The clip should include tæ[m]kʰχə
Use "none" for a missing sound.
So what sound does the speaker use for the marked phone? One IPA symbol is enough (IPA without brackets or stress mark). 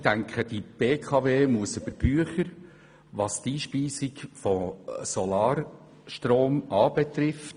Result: ŋ